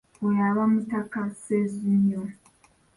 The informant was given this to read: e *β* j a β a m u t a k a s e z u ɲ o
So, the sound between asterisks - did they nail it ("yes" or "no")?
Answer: no